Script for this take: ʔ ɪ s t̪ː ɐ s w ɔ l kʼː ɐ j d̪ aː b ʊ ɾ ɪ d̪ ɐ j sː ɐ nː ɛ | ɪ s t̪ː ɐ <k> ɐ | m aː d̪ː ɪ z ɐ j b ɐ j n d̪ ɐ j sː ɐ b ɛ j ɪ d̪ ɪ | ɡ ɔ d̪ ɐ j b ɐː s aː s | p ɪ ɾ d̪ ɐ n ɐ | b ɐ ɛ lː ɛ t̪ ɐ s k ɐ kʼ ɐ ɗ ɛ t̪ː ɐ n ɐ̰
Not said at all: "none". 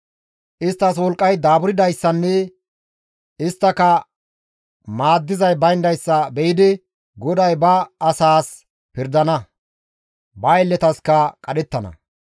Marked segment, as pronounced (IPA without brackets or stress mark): k